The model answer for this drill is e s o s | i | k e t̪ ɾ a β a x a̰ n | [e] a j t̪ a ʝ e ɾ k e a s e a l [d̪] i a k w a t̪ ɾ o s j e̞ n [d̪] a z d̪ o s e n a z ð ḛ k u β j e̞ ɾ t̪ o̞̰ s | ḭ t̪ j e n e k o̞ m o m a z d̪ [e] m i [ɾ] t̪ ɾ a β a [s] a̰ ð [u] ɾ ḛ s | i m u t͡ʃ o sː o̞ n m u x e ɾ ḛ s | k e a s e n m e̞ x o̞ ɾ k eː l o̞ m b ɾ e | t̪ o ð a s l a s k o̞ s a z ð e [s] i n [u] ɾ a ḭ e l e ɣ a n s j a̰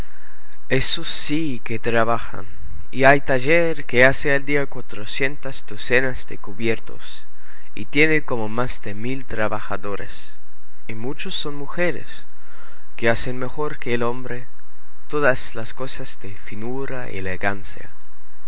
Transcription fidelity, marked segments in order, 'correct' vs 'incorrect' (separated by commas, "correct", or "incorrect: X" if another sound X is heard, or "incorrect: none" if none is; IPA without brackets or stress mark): incorrect: i, correct, incorrect: t̪, correct, incorrect: l, incorrect: x, incorrect: o, incorrect: f, correct